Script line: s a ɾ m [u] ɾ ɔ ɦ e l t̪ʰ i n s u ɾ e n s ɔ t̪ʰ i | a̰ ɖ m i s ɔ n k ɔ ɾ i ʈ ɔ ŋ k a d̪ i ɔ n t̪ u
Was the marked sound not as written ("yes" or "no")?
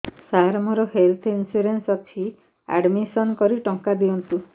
yes